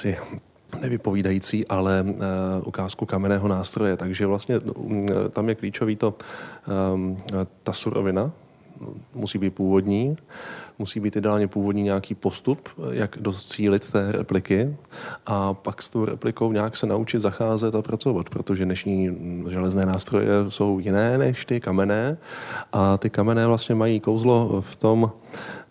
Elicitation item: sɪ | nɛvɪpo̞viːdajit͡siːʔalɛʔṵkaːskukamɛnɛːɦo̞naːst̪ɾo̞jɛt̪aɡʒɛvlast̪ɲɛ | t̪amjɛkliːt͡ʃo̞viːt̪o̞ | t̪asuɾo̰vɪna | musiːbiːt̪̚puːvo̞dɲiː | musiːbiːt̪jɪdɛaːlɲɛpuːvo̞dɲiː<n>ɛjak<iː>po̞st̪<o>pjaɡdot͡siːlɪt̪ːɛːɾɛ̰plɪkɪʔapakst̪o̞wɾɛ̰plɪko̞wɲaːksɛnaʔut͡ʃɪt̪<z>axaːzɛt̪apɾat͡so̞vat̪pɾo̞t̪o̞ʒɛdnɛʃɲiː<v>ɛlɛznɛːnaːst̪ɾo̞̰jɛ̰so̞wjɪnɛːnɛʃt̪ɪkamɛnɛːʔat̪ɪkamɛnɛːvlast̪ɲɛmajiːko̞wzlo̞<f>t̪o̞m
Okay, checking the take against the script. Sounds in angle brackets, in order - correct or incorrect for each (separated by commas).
incorrect, correct, incorrect, correct, incorrect, correct